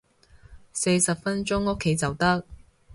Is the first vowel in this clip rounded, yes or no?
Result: no